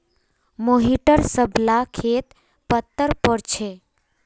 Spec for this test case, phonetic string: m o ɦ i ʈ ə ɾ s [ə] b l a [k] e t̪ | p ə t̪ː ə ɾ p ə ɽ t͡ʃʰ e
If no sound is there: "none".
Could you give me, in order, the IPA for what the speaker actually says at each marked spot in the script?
ə, kʰ

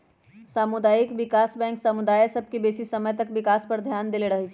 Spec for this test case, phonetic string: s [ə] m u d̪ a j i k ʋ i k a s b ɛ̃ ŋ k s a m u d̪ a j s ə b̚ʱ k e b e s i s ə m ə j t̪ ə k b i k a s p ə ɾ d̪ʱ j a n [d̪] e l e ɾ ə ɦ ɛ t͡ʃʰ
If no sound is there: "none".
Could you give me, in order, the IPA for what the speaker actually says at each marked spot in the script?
a, d̪

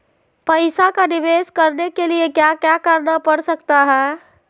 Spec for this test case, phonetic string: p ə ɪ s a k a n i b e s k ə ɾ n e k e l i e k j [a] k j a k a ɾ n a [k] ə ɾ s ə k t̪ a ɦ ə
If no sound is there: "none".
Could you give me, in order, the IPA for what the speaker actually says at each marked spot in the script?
a, p

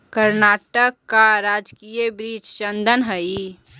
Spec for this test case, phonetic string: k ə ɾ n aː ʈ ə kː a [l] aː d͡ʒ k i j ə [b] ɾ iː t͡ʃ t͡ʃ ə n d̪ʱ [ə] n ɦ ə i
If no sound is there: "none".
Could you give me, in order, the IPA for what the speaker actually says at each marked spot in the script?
ɾ, b, ə

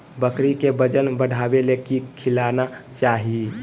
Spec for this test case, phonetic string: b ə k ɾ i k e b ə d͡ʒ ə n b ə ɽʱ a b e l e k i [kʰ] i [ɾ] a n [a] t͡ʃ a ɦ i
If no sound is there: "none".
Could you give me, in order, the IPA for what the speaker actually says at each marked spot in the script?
kʰ, l, a

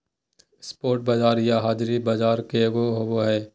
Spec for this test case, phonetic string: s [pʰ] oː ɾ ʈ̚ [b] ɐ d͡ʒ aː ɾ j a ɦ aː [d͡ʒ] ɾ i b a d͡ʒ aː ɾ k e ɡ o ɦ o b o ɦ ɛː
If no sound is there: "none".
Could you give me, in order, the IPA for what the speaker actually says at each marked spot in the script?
p, b, d͡ʒ

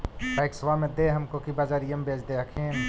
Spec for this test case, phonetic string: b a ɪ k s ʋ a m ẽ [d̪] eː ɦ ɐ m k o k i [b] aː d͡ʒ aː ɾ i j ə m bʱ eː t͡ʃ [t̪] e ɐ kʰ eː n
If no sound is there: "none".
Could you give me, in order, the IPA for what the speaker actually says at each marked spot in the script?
d̪, b, d̪

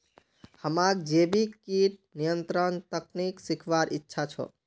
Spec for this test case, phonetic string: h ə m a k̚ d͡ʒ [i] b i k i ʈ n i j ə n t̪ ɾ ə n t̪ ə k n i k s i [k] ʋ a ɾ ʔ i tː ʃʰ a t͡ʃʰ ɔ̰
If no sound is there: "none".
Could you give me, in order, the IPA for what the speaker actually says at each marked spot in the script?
e, kʰ

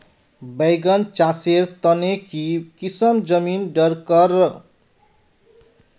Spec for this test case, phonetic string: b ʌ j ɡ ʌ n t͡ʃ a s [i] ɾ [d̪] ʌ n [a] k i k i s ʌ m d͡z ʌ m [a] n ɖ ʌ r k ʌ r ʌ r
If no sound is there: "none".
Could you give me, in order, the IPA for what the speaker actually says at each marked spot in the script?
e, t̪, e, i

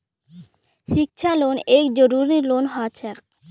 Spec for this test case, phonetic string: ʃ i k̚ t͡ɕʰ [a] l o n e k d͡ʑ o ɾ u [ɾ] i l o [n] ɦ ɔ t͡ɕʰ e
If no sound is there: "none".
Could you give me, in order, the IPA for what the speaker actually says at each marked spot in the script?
a, ɾ, n

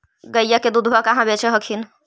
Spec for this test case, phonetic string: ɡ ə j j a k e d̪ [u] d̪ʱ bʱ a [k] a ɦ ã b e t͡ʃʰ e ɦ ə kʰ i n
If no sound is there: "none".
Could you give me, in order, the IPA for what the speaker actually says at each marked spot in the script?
u, k

